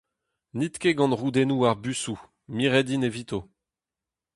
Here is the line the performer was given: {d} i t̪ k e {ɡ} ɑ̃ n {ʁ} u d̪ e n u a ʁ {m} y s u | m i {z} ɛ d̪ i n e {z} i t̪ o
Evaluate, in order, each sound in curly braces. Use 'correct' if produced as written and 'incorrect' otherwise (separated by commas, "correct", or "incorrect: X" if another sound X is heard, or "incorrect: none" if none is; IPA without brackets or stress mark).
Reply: incorrect: n, correct, correct, incorrect: b, incorrect: ʁ, incorrect: v